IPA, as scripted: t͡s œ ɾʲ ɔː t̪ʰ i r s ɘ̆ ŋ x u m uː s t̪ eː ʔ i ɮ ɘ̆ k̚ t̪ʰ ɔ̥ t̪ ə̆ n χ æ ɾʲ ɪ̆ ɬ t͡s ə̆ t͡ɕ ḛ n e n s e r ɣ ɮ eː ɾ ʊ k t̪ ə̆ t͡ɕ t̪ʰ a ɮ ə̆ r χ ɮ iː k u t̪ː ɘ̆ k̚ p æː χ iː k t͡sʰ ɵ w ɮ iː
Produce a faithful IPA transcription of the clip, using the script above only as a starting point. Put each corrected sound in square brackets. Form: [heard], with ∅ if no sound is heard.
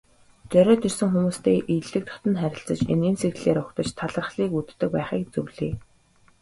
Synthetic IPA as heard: t͡s œ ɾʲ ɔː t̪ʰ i r s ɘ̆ ŋ x u m uː s t̪ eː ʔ i ɮ ɘ̆ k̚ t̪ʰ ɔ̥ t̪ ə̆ n χ æ ɾʲ ɪ̆ ɬ t͡s ə̆ t͡ɕ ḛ n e n s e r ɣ ɮ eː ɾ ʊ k t̪ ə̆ t͡ɕ t̪ʰ a ɮ ə̆ r χ ɮ iː k u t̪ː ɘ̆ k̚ p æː χ iː k [t͡s] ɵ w ɮ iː